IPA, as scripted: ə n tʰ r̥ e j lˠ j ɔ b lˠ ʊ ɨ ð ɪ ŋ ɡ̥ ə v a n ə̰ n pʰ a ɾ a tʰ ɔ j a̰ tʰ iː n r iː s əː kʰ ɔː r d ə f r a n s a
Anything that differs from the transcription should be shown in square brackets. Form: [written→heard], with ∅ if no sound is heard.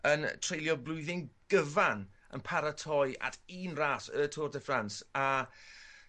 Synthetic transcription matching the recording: ə n tʰ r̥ e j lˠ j ɔ b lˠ ʊ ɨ ð ɪ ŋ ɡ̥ ə v a n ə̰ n pʰ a ɾ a tʰ ɔ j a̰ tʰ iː n r [iː→aː] s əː [kʰ→tʰ] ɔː r d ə f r a n s a

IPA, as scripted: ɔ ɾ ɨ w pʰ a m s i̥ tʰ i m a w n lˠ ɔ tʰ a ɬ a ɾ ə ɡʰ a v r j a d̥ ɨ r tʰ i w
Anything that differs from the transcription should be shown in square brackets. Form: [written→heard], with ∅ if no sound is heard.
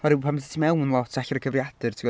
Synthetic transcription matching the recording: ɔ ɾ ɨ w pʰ a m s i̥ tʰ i m [a→ɛ] w n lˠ ɔ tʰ a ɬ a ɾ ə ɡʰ [a→ə] v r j a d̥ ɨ r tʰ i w

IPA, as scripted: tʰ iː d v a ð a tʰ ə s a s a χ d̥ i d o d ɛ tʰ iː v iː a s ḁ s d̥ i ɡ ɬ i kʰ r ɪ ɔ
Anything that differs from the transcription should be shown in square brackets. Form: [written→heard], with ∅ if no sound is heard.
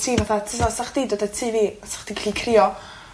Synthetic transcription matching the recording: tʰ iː [d→∅] v a [ð→θ] a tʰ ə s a s a χ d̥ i d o d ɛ tʰ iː v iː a s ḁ [s→χ] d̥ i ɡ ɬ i kʰ r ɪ ɔ

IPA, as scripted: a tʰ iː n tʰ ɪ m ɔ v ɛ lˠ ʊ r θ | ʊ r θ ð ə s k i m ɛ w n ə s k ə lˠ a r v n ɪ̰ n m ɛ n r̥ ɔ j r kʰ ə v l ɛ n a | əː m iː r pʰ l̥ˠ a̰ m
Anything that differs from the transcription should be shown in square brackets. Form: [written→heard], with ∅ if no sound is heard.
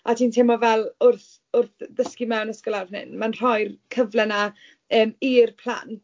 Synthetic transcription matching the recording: a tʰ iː n tʰ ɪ m ɔ v ɛ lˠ ʊ r θ | ʊ r θ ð ə s k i m ɛ w n ə s k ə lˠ a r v n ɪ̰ n m [ɛ→a] n r̥ ɔ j r kʰ ə v l ɛ n a | əː m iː r pʰ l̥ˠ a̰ [m→n]

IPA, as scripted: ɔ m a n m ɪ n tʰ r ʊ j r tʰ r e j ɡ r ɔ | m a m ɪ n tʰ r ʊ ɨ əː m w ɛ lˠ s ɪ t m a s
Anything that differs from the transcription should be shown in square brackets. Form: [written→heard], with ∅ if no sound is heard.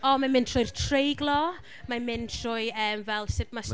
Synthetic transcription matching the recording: ɔ m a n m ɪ n tʰ r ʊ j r tʰ r e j ɡ [r→l] ɔ | m a m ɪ n tʰ r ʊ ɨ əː m [w→v] ɛ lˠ s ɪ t m a s

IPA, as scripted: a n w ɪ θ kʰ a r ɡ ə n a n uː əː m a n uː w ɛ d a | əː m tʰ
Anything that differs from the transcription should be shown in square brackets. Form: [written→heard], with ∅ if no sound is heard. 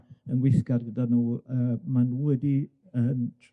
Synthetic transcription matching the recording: [a→ə] n w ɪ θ [kʰ→k] a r ɡ ə [n→d] a n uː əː m a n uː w ɛ d [a→i] | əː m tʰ

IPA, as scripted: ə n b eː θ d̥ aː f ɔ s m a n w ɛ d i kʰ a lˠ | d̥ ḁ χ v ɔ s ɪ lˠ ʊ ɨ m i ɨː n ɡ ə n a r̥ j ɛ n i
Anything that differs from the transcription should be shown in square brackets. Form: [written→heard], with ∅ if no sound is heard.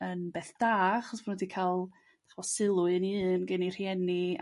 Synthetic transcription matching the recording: ə n b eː θ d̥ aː [f→χ] ɔ s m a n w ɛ d i kʰ a lˠ | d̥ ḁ χ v ɔ s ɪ lˠ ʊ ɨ [m→n] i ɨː n ɡ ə n [a→i] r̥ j ɛ n i

